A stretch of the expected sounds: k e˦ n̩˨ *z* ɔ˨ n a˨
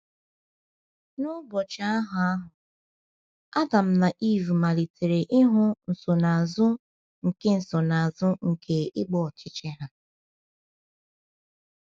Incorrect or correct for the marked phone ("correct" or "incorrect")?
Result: incorrect